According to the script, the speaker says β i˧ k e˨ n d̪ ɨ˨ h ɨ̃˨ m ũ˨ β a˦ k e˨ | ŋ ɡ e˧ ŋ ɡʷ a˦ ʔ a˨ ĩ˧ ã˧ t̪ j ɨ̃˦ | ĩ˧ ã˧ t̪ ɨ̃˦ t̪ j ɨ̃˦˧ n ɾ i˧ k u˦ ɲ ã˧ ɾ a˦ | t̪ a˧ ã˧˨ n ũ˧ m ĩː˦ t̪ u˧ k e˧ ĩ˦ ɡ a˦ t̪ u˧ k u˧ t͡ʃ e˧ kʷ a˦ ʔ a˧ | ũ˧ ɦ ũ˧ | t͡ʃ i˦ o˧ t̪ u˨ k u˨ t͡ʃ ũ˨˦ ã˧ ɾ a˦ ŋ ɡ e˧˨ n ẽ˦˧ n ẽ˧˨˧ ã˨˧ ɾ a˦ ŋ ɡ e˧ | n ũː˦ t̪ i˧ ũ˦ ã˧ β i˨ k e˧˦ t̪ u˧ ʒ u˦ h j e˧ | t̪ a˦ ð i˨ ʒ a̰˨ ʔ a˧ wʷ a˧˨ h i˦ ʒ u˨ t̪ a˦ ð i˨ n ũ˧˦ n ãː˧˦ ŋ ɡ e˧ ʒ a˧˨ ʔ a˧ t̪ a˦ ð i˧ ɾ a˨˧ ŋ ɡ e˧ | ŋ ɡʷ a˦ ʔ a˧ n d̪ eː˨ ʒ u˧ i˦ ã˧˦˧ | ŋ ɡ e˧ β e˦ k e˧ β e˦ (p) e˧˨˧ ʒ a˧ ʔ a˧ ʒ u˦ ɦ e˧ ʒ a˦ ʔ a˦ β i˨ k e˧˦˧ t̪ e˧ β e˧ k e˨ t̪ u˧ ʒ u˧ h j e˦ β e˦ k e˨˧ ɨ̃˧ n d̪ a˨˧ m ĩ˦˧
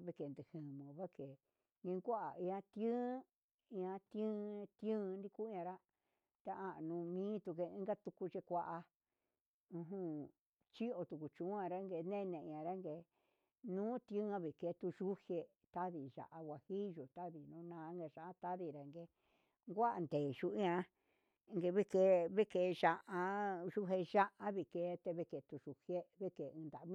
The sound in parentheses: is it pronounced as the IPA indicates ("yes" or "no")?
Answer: no